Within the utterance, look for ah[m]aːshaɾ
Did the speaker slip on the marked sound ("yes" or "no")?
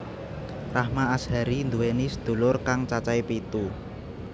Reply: no